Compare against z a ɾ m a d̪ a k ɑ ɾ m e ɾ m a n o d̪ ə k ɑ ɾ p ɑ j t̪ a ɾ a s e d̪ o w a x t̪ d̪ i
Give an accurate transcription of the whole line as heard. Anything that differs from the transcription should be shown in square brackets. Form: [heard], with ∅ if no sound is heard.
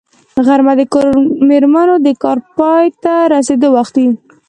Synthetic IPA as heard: [ɣ] a ɾ m a d̪ [ə] k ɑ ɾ m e ɾ m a n o d̪ ə k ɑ ɾ p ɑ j t̪ a ɾ a s e d̪ o w a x t̪ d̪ i